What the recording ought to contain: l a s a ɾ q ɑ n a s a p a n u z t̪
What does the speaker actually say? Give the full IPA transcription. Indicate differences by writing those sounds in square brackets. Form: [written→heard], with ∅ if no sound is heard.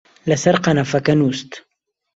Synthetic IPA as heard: l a s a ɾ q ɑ n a [s→f] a [p→k] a n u [z→s] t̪